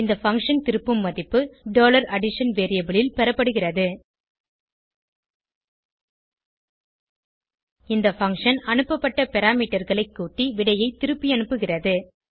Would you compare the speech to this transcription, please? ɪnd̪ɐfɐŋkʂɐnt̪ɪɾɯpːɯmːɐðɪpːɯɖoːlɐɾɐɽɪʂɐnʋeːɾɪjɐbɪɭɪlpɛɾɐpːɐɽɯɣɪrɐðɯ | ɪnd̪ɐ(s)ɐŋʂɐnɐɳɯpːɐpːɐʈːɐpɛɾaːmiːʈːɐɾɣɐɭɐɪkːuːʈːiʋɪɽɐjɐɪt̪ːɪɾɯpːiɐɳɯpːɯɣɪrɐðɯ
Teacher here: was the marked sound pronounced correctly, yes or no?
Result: no